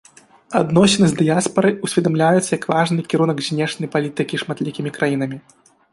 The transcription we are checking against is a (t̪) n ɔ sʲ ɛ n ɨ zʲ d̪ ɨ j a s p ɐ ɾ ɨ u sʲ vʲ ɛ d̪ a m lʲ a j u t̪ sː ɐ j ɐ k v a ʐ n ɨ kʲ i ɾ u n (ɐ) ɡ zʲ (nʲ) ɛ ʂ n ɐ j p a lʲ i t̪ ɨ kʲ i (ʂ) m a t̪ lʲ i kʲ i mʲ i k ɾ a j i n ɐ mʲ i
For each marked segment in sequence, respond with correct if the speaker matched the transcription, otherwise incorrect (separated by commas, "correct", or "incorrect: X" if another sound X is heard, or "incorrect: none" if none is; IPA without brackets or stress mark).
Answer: incorrect: d̪, correct, correct, correct